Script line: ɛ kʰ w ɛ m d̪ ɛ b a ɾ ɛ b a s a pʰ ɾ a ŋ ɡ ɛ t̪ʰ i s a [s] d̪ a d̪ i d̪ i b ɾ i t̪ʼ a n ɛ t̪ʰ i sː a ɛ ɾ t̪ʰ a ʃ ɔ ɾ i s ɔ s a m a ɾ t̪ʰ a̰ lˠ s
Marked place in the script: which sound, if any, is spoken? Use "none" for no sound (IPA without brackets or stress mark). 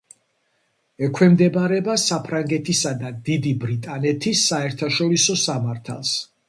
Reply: none